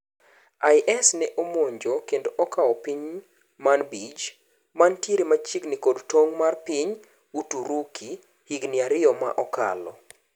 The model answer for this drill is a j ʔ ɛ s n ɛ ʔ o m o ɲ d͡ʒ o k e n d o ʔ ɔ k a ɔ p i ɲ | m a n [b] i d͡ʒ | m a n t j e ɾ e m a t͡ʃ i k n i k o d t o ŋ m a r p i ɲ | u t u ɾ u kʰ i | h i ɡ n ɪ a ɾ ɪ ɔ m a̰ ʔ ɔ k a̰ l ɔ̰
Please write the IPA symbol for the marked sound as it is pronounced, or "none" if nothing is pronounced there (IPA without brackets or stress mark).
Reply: b